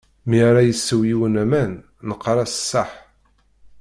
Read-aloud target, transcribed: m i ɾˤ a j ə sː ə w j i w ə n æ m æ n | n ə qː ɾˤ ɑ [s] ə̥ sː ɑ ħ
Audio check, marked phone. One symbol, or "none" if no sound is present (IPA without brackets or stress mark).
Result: s